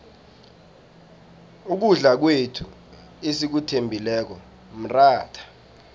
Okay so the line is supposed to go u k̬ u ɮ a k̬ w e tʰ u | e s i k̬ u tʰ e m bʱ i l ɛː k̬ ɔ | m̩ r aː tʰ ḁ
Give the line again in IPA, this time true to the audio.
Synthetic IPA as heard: u k̬ u ɮ a k̬ w e tʰ u | e s i k̬ u tʰ e m bʱ i l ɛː k̬ ɔ | m̩ r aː tʰ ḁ